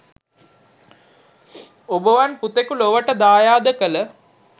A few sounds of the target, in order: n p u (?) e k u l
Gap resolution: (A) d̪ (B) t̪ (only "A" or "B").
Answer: B